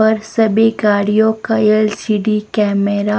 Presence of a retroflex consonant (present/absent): present